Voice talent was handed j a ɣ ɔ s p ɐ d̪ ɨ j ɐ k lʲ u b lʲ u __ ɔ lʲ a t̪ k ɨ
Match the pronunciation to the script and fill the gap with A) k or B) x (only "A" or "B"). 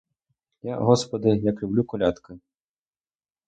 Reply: A